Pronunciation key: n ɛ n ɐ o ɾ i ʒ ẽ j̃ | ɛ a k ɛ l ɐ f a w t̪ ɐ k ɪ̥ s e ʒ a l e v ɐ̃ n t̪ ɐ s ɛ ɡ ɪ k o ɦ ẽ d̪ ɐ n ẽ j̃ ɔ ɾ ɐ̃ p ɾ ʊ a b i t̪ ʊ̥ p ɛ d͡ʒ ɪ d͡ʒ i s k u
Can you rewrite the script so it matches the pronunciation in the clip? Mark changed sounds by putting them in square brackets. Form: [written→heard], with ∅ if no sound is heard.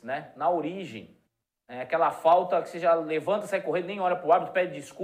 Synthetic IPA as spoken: n ɛ n ɐ o ɾ i ʒ ẽ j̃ | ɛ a k ɛ l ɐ f a w t̪ ɐ k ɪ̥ s e ʒ a l e v ɐ̃ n t̪ ɐ s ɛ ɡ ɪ k o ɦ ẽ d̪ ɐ n ẽ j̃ ɔ ɾ [ɐ̃→ɐ] p ɾ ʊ a b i t̪ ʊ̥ p ɛ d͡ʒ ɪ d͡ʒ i s k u